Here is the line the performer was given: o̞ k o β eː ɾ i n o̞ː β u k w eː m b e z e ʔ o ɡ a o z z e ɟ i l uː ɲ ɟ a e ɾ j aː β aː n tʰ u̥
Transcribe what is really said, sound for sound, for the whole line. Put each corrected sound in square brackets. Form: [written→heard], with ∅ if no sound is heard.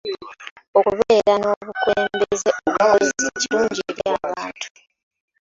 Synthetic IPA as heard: o̞ k [o→u] β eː ɾ [i→a] n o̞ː β u k w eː m b e z e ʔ o ɡ a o z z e [ɟ→c] i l uː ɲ ɟ [a→i] e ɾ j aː β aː n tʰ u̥